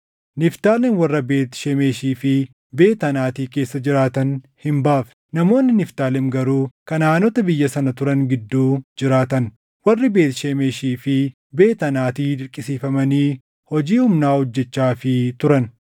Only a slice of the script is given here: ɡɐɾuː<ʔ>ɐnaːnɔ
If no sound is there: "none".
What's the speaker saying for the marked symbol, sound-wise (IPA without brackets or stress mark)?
k